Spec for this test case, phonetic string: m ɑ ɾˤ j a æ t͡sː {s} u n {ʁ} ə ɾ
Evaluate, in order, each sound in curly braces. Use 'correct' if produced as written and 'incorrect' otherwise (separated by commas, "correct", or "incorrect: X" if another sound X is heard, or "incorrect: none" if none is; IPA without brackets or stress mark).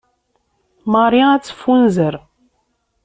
incorrect: f, incorrect: z